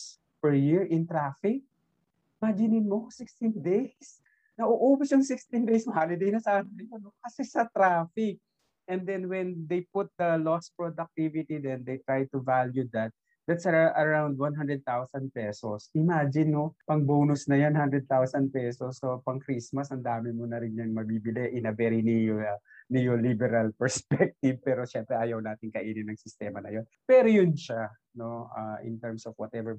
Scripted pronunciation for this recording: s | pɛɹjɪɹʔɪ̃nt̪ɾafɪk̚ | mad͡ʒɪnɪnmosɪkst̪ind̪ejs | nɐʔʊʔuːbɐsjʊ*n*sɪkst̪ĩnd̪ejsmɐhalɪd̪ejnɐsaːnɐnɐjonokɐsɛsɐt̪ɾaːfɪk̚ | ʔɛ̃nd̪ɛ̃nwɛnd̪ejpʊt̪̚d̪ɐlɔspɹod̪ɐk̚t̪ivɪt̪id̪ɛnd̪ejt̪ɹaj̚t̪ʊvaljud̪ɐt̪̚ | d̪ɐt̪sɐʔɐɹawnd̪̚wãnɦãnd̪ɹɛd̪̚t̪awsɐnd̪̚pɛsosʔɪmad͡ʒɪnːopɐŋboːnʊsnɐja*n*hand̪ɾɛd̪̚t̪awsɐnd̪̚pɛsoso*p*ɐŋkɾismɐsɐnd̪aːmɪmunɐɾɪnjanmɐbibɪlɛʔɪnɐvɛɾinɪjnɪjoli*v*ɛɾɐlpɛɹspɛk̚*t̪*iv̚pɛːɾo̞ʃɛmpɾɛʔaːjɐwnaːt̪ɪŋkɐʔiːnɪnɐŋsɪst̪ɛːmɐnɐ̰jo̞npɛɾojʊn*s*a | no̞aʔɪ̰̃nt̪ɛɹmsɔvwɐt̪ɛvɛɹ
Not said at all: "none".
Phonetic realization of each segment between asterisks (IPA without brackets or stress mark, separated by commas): ŋ, n, p, b, t̪, ʃ